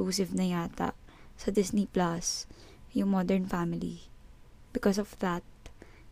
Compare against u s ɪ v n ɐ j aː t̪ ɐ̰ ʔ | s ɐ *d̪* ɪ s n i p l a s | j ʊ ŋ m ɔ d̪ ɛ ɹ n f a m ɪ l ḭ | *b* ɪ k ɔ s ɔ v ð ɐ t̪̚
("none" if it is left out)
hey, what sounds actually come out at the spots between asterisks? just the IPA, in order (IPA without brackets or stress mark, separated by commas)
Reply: d̪, b